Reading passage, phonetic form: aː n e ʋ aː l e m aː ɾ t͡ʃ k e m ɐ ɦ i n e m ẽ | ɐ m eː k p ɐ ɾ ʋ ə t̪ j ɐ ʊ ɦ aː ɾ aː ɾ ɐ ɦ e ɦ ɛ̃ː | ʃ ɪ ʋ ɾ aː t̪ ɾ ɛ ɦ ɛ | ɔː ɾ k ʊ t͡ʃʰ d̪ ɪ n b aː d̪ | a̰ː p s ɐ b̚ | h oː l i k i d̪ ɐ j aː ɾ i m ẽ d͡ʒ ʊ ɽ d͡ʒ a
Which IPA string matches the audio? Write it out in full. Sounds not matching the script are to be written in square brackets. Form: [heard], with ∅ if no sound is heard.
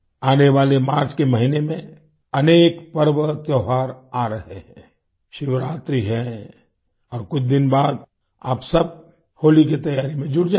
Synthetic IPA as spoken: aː n e ʋ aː l e m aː ɾ t͡ʃ k e m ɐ ɦ i n e m ẽ | ɐ [n] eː k p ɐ ɾ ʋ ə t̪ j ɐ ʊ ɦ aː ɾ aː ɾ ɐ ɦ e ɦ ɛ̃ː | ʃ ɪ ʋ ɾ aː t̪ ɾ [i] ɦ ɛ | ɔː ɾ k ʊ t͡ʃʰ d̪ ɪ n b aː d̪ | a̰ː p s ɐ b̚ | h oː l i k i [t̪] ɐ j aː ɾ i m ẽ d͡ʒ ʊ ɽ d͡ʒ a